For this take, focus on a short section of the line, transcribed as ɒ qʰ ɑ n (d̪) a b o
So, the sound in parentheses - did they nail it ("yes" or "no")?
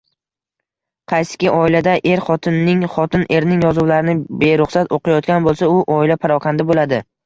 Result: yes